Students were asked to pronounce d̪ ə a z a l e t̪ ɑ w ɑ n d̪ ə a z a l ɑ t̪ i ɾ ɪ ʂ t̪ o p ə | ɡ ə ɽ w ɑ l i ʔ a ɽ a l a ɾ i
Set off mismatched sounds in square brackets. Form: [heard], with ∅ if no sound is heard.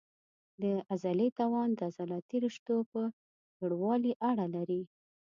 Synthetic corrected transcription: d̪ ə a z a l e t̪ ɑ w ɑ n d̪ ə a z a l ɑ t̪ i ɾ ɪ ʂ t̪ o p ə | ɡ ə ɽ w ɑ l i ʔ a ɽ a l a ɾ i